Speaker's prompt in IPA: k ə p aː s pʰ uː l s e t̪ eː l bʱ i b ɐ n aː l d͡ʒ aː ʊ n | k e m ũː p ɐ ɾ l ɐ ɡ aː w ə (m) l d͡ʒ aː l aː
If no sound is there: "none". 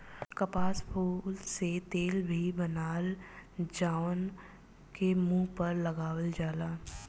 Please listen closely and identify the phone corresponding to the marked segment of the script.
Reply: none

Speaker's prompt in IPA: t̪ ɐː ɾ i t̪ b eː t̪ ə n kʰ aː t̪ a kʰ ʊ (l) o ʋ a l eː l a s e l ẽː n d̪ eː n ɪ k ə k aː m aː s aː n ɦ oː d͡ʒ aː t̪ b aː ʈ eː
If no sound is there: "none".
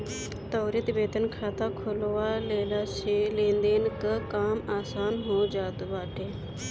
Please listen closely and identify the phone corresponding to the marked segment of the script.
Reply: l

